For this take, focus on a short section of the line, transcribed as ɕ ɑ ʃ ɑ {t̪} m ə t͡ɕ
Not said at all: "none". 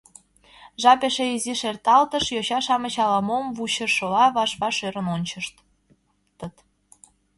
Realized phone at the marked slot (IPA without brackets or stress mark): none